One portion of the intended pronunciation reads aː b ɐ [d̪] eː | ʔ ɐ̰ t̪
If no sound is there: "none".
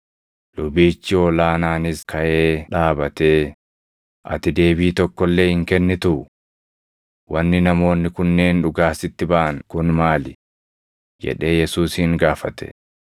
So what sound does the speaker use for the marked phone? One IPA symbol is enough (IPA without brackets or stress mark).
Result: t̪